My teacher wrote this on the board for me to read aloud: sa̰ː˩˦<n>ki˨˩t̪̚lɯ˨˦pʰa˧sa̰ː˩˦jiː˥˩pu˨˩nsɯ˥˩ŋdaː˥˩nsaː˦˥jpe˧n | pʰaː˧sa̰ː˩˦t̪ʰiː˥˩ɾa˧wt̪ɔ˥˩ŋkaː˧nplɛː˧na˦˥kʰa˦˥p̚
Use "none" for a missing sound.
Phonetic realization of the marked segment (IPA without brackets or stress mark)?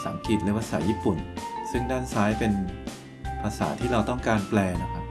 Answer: ŋ